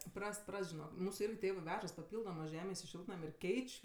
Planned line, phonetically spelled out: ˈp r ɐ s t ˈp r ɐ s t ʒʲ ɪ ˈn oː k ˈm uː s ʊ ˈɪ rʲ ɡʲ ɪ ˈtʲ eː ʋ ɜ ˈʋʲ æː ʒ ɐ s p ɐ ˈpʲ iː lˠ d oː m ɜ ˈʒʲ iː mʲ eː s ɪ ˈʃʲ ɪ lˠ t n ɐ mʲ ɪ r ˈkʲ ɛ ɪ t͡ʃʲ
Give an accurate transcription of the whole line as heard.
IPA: ˈp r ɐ s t ˈp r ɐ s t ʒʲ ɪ ˈn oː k ˈm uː s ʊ ˈɪ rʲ ɡʲ ɪ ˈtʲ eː ʋ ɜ ˈʋʲ æː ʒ ɐ s p ɐ ˈpʲ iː lˠ d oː m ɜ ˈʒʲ æː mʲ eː s ɪ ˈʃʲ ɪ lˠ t n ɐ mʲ ɪ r ˈkʲ ɛ ɪ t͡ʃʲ